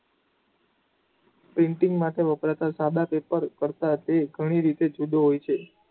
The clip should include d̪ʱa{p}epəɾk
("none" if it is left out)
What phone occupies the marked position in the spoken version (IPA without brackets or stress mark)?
p